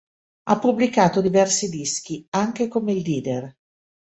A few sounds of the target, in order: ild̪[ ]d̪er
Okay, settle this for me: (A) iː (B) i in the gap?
A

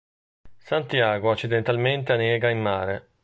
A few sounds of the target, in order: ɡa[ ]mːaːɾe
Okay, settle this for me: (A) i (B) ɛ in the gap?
A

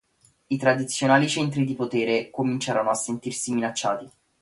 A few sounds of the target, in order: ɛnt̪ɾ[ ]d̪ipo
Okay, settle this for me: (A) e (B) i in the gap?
B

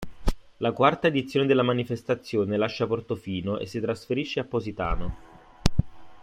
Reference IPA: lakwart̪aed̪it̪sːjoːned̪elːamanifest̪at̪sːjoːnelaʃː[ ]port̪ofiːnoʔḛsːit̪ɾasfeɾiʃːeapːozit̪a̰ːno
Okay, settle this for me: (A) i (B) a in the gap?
B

